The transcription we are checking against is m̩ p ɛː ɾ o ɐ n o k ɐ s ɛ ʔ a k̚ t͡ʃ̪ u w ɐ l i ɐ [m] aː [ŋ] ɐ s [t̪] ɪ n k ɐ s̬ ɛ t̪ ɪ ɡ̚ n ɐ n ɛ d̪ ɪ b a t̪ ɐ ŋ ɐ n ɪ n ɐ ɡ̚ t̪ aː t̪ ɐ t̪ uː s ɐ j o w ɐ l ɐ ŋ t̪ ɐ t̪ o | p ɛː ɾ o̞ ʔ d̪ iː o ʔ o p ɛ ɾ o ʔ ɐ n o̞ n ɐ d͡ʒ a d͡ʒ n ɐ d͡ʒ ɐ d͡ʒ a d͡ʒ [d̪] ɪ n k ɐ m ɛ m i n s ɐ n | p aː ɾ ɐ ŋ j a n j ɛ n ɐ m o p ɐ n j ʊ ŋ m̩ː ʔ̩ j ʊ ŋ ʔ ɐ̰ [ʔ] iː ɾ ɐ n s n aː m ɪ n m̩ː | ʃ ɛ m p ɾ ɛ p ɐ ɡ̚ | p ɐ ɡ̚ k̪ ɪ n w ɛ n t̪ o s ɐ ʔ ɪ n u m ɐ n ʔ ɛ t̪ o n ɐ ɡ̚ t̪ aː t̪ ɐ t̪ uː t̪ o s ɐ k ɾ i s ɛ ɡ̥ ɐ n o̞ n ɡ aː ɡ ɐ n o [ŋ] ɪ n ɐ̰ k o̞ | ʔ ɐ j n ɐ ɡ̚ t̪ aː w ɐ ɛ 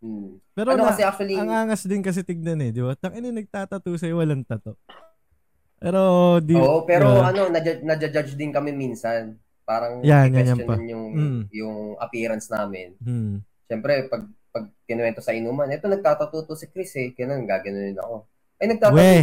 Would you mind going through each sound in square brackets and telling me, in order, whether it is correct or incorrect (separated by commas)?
incorrect, correct, incorrect, correct, incorrect, incorrect